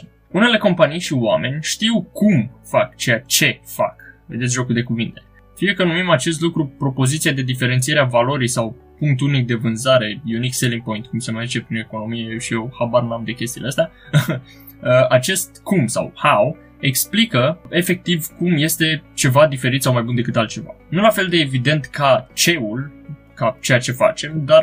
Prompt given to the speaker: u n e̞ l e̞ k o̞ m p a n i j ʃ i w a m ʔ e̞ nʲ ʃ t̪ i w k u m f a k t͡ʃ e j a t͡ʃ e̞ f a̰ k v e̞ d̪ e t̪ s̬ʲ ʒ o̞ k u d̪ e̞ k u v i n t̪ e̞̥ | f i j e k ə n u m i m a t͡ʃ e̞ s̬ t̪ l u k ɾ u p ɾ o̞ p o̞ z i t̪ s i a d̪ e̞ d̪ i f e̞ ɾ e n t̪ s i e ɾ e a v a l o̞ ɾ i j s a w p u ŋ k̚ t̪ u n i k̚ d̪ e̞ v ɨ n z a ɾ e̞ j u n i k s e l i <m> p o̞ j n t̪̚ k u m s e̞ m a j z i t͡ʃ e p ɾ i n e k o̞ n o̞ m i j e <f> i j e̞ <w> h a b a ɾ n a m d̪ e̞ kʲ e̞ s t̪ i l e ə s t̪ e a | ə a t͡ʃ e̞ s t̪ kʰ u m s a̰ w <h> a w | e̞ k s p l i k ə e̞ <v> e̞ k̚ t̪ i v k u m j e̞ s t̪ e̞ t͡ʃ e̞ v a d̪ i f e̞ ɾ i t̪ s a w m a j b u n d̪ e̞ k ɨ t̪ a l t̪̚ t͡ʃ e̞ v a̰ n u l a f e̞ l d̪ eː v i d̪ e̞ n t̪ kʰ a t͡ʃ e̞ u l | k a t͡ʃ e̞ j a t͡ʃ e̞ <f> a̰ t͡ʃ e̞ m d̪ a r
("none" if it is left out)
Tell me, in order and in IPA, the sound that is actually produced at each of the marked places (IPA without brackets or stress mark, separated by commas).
ŋ, ʃ, w, h, f, f